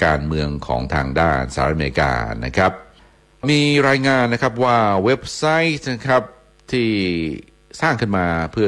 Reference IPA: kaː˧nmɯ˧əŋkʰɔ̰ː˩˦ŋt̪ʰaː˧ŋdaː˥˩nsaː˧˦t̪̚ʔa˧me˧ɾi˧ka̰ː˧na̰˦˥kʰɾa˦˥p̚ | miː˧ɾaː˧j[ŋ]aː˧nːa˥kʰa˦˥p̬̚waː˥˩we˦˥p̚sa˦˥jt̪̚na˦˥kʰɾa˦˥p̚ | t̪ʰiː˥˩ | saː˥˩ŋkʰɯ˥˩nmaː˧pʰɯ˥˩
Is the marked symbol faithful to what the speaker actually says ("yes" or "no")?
yes